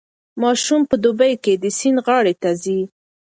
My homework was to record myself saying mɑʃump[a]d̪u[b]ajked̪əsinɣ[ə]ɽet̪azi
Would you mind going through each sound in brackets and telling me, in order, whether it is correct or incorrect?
incorrect: ə, correct, incorrect: ɑ

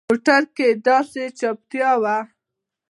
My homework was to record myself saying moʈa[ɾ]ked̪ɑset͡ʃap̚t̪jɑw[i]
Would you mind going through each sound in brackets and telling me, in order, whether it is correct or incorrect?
correct, incorrect: a

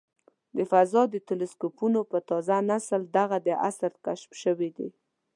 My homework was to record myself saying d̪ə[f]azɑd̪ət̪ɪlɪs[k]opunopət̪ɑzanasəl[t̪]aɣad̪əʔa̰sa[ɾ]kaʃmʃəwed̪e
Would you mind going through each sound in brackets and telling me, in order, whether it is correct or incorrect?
correct, correct, incorrect: d̪, correct

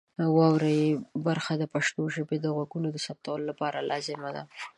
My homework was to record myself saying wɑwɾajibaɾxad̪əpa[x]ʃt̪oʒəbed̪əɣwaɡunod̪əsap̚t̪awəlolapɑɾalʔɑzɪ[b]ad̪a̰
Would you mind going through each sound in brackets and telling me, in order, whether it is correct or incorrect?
incorrect: none, incorrect: m

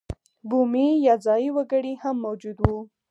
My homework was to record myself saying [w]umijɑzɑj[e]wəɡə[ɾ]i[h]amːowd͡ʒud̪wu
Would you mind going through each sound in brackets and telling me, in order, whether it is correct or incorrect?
incorrect: b, incorrect: i, incorrect: ɽ, correct

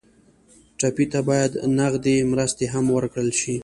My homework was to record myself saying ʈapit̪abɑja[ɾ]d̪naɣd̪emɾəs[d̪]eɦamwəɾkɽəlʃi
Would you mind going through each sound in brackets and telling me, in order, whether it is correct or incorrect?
incorrect: none, incorrect: t̪

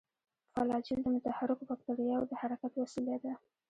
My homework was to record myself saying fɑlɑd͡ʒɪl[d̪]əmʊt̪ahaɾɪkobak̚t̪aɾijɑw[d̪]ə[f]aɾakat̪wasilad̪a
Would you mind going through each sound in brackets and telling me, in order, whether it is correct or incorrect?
correct, correct, incorrect: h

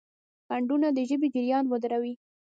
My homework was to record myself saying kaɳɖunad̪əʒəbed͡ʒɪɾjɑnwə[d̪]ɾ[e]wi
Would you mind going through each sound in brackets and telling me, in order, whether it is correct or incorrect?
correct, incorrect: a

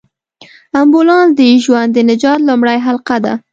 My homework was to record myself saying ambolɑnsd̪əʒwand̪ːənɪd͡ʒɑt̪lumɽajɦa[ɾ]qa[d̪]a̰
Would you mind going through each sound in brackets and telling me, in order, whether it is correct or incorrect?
incorrect: l, correct

